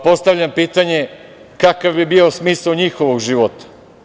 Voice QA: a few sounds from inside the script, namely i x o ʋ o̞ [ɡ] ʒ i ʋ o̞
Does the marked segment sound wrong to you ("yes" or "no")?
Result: no